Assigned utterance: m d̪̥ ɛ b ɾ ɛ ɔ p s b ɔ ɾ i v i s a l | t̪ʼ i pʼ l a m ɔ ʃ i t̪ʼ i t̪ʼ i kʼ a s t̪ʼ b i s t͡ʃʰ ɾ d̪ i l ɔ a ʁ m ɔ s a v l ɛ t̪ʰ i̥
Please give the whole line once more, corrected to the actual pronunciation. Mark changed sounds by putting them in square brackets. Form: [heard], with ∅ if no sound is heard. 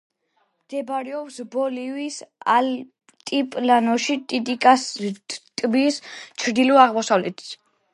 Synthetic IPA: m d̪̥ ɛ b ɾ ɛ ɔ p s b ɔ [l] i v i s a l | t̪ʼ i pʼ l a [n] ɔ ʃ i t̪ʼ i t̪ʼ i kʼ a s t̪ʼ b i s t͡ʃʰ ɾ d̪ i l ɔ a ʁ m ɔ s a v l ɛ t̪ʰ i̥